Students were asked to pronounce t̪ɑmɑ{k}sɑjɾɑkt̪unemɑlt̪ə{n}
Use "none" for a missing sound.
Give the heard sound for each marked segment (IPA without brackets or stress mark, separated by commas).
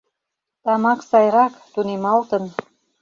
k, n